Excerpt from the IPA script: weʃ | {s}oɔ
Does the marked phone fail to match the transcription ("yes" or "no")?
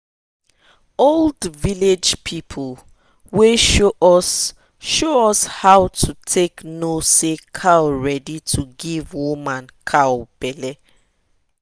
yes